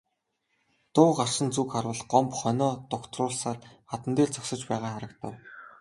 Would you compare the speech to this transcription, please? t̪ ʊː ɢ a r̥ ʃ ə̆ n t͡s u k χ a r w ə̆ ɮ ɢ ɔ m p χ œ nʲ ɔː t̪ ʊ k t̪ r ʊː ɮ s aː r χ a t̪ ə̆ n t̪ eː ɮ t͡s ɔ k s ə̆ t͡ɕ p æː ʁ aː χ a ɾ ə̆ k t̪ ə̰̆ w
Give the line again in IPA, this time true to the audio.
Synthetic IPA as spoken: t̪ ʊː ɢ a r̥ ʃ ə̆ n t͡s u k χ a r w ə̆ ɮ ɢ ɔ m p χ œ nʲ ɔː t̪ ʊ k t̪ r ʊː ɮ s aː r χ a t̪ ə̆ n t̪ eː ɮ t͡s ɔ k s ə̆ t͡ɕ p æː ʁ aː χ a ɾ ə̆ k t̪ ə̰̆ w